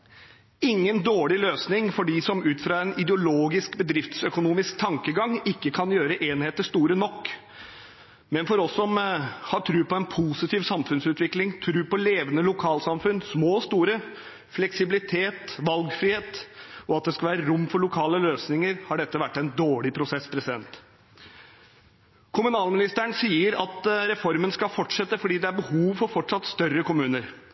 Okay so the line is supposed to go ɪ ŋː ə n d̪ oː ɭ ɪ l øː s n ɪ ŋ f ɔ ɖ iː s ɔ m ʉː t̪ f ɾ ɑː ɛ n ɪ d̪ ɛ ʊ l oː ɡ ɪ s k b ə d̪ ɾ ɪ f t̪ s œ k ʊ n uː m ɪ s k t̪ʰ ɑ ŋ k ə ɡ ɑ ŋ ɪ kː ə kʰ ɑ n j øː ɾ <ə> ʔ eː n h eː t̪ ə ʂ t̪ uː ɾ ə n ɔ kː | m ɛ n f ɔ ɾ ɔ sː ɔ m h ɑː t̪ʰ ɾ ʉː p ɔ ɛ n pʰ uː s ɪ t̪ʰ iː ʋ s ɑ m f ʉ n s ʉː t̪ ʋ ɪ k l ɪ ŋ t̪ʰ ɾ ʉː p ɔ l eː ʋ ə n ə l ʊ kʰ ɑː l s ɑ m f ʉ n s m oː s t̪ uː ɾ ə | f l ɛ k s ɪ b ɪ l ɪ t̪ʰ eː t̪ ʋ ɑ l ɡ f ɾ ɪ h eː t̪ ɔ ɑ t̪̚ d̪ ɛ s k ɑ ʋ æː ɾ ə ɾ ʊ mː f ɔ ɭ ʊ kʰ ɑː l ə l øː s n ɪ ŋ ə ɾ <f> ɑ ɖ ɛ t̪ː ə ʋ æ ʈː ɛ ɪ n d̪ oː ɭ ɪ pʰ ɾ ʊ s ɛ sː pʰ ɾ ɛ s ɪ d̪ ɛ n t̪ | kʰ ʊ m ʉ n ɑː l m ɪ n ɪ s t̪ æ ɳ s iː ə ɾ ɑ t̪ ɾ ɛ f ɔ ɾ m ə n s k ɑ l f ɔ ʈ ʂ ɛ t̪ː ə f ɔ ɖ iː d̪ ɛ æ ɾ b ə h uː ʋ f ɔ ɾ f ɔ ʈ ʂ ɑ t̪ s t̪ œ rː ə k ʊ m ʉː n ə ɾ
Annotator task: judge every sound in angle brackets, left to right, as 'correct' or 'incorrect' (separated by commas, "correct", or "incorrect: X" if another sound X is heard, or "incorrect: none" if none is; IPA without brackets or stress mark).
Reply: correct, incorrect: h